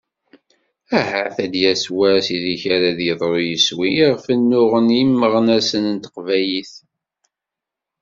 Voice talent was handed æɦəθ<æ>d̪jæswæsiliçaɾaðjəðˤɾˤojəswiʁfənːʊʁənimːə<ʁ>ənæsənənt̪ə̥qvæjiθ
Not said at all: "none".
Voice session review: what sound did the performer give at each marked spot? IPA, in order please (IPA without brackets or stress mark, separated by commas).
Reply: æ, ʁ